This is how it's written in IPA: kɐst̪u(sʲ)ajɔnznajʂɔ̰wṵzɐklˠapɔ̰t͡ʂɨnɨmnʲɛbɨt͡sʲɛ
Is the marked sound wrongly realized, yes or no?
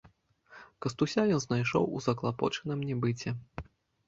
no